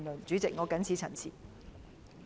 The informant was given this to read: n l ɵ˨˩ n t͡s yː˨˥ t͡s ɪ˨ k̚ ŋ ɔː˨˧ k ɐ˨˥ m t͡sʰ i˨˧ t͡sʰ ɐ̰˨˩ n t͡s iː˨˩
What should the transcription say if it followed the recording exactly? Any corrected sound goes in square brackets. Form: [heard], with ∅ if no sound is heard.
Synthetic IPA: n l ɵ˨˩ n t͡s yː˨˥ t͡s ɪ˨ k̚ ŋ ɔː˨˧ k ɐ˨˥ [n] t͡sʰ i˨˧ t͡sʰ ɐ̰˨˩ n [t͡sʰ] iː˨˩

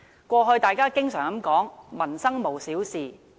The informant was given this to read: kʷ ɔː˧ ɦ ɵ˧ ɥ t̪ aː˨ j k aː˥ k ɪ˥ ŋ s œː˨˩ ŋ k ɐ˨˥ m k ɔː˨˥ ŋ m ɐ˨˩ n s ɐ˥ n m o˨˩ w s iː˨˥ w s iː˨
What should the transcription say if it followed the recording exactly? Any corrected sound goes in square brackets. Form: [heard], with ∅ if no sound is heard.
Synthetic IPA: kʷ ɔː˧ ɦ ɵ˧ ɥ t̪ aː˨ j k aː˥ k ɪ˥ ŋ s œː˨˩ ŋ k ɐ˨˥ m k ɔː˨˥ ŋ m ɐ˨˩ n s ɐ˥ [ŋ] m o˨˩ w s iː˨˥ w s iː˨

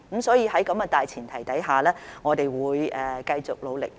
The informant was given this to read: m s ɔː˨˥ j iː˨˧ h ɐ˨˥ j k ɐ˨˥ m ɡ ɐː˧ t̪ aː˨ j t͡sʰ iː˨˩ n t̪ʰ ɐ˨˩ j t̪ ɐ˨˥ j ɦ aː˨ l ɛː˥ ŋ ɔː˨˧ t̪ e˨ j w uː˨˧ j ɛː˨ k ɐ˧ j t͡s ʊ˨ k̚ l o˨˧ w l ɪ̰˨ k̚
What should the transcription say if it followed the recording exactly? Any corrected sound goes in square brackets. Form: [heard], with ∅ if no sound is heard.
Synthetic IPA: m s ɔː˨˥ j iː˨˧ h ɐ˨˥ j k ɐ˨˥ m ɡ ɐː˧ t̪ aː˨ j t͡sʰ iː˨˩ n t̪ʰ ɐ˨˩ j t̪ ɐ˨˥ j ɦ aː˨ l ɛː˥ ŋ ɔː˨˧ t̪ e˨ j w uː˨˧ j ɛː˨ k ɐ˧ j t͡s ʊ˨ k̚ l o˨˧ w l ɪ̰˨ k̚

